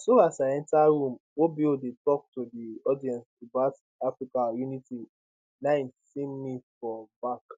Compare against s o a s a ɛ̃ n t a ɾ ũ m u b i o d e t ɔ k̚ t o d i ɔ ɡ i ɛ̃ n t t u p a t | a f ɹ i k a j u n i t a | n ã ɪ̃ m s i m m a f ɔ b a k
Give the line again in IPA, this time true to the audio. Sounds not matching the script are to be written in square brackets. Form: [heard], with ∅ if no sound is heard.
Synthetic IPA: s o a s a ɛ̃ n t a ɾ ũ m [o] b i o d e t ɔ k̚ t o d i ɔ [d] i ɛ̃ n [s] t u [b] a t | a f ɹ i k a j u n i t [i] | n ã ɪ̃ [n] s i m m [i] f ɔ b a k